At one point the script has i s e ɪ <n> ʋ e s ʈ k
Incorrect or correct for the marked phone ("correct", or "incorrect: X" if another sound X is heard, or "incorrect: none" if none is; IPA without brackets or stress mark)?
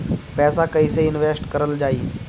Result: correct